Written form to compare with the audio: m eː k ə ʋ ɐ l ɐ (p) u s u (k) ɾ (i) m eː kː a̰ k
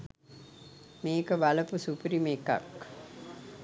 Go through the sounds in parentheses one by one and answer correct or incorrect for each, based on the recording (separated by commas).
correct, incorrect, correct